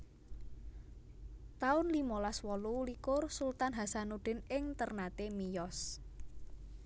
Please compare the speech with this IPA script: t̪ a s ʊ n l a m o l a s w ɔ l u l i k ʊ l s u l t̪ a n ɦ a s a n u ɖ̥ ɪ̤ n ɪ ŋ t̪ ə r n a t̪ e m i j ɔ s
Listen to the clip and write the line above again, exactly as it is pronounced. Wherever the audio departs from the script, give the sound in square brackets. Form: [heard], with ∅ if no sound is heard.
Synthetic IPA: t̪ a [∅] ʊ n l [i] m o l a s w ɔ l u l i k ʊ [r] s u l t̪ a n ɦ a s a n u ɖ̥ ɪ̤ n ɪ ŋ t̪ ə r n a t̪ e m i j ɔ s